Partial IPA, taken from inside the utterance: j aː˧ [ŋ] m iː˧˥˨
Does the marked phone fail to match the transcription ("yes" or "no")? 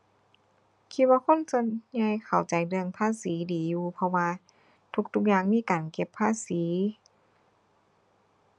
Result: no